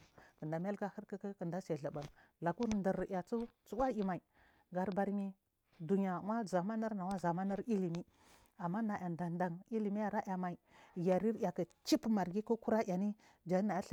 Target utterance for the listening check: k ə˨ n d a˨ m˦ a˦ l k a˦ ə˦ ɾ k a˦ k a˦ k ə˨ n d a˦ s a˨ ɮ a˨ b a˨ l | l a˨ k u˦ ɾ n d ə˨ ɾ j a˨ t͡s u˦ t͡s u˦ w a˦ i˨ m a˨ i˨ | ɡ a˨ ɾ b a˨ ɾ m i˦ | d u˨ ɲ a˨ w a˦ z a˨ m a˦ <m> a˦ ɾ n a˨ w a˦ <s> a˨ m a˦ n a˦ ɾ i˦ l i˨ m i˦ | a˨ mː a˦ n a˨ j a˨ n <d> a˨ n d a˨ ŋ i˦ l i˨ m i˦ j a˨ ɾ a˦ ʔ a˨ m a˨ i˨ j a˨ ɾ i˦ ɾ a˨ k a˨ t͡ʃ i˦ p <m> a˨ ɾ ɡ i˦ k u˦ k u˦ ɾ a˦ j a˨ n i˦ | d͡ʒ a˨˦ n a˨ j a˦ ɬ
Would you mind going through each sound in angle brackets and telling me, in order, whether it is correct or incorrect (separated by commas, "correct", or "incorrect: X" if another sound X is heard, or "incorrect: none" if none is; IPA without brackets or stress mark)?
incorrect: n, incorrect: z, correct, correct